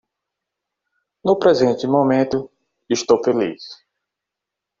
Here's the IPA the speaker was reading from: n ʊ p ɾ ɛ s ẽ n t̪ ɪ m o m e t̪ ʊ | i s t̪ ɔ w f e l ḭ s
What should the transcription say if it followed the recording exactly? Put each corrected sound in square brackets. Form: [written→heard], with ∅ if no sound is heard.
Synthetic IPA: n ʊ p ɾ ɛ [s→z] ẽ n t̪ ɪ m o m [e→ẽ] t̪ ʊ | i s t̪ [ɔ→o] w f e l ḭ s